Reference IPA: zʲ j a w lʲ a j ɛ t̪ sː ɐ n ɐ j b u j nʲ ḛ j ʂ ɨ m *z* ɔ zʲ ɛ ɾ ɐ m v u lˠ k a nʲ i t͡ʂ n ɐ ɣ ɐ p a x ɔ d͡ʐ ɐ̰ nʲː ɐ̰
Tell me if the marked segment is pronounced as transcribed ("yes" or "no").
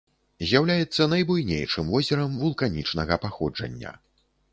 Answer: no